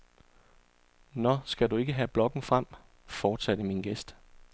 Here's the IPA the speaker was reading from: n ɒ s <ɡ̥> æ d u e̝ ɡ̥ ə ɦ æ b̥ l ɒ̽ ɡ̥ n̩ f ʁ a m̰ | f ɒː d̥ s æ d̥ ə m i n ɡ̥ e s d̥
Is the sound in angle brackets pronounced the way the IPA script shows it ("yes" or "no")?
yes